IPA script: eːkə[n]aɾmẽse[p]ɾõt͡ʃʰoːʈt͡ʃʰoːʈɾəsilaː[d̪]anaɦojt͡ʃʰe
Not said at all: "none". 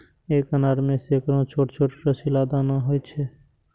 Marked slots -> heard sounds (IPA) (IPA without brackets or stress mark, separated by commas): n, k, d̪